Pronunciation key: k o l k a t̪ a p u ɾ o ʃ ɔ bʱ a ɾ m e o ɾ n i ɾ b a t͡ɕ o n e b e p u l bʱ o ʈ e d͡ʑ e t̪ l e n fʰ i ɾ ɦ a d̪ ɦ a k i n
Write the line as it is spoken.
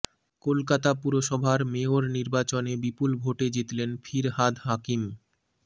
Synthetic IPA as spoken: k o l k a t̪ a p u ɾ o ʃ ɔ bʱ a ɾ m e o ɾ n i ɾ b a t͡ɕ o n e b i p u l bʱ o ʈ e d͡ʑ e t̪ l e n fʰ i ɾ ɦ a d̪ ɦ a k i m